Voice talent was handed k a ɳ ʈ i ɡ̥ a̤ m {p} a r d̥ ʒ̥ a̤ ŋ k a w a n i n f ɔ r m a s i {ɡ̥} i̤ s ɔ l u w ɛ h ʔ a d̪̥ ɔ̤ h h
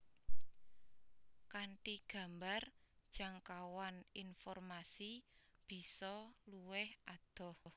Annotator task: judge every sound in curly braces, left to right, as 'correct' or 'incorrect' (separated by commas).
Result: incorrect, incorrect